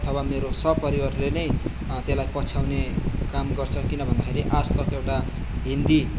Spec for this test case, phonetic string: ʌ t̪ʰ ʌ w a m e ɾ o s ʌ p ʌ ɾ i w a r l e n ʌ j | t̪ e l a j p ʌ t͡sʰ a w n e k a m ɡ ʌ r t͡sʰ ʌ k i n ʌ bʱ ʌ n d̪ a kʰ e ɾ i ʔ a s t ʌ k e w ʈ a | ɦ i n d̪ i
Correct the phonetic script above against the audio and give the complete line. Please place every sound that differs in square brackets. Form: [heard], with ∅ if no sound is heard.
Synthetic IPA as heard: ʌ t̪ʰ ʌ w a m e ɾ o s ʌ p ʌ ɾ i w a r l e n ʌ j | t̪ e l a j p ʌ t͡sʰ a w n e k a m ɡ ʌ r t͡sʰ ʌ k i n ʌ bʱ ʌ n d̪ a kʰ e ɾ i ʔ a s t ʌ k e w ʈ a | ɦ i n d̪ i